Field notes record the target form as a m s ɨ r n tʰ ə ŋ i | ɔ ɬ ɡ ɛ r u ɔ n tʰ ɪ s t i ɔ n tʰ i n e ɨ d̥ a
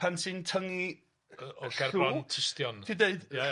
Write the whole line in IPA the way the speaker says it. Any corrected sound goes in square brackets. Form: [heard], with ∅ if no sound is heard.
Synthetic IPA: a [n] s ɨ [∅] n tʰ ə ŋ i | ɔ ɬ ɡ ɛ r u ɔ n tʰ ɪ s t [j] ɔ n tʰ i [d] e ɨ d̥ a